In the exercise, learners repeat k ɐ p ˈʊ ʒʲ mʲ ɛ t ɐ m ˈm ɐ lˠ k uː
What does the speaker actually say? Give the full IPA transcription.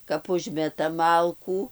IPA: k ɐ p ˈʊ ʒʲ mʲ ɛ t ɐ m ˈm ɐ lˠ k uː